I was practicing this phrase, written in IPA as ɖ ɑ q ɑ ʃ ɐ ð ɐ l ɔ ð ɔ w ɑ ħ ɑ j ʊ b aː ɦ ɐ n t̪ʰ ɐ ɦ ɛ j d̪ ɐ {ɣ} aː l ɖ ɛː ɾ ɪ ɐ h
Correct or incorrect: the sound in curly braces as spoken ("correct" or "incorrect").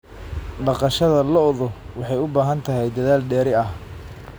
incorrect